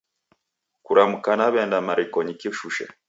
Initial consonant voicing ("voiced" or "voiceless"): voiceless